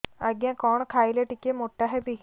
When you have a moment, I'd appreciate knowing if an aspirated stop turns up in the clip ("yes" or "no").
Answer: yes